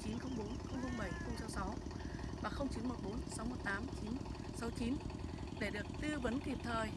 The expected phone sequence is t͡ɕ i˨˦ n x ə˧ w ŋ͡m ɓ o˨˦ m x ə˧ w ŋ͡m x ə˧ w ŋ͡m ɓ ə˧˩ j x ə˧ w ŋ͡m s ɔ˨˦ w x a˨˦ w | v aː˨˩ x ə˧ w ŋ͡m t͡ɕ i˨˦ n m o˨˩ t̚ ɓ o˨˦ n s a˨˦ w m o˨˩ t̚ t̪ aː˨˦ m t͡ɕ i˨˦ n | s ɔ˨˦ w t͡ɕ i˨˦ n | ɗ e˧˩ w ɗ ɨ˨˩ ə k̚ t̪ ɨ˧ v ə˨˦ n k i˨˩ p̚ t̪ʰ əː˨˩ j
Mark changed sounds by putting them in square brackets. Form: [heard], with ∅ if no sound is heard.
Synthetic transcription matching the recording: t͡ɕ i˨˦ n x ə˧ w ŋ͡m ɓ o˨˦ [n] x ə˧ w ŋ͡m x ə˧ w ŋ͡m ɓ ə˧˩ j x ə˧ w ŋ͡m s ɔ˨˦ w [s] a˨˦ w | v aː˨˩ x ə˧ w ŋ͡m t͡ɕ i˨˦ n m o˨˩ t̚ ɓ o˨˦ n s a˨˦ w m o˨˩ t̚ t̪ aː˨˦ m t͡ɕ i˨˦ n | s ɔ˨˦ w t͡ɕ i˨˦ n | ɗ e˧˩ [∅] ɗ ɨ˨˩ ə k̚ t̪ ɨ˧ v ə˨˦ n k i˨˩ p̚ t̪ʰ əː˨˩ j

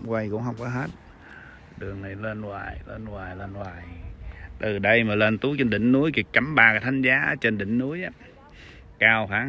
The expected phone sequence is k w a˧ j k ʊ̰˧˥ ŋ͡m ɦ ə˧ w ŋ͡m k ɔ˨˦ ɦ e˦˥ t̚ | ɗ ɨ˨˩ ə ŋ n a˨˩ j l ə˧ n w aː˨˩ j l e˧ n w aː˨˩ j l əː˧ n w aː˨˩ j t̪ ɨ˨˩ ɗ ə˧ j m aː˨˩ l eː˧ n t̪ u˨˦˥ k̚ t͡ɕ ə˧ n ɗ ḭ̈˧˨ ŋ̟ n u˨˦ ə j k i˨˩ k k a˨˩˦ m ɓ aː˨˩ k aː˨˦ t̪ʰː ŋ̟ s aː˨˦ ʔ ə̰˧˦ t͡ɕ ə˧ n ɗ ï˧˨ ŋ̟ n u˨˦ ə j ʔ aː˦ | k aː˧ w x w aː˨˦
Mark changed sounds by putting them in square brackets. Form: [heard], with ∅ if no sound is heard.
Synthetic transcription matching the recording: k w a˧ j k ʊ̰˧˥ ŋ͡m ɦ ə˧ w ŋ͡m k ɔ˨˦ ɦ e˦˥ t̚ | ɗ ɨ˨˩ ə ŋ n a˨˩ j l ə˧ n w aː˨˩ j l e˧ n w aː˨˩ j l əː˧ n w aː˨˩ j t̪ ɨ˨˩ ɗ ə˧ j m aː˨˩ l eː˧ n t̪ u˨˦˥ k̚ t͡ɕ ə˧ n ɗ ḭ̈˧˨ ŋ̟ n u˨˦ ə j k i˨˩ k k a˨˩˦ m ɓ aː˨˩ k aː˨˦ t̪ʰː ŋ̟ [z] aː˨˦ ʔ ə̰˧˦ t͡ɕ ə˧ n ɗ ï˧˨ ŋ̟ n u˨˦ ə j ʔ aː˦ | k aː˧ w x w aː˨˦

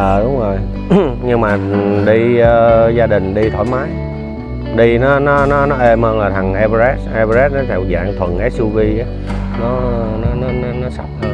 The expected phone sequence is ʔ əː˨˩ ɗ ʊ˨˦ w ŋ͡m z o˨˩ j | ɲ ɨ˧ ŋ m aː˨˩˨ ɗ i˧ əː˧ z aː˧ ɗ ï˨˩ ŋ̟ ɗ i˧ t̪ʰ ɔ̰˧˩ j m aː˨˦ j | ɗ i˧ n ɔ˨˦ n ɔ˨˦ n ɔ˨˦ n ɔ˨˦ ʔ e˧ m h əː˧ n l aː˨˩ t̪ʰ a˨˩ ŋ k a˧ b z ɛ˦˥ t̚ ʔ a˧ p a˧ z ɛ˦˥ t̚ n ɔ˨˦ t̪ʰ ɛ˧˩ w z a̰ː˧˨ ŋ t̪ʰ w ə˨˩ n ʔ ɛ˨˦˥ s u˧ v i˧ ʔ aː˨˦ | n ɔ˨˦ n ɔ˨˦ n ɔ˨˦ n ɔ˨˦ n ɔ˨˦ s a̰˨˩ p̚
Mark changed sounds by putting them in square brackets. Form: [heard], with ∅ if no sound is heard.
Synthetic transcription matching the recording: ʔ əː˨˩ ɗ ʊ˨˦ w ŋ͡m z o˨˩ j | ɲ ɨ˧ ŋ m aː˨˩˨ ɗ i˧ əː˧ z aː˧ ɗ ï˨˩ ŋ̟ ɗ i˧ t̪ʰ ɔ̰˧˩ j m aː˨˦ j | ɗ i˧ n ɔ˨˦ n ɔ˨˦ n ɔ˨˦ n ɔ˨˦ ʔ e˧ m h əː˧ n l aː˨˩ t̪ʰ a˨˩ ŋ [ʔ] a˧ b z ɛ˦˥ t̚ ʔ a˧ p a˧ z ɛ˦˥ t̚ n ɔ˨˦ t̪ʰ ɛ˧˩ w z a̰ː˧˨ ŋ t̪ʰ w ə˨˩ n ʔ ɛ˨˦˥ s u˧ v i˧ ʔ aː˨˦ | n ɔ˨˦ n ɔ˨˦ n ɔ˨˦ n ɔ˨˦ n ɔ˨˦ s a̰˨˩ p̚

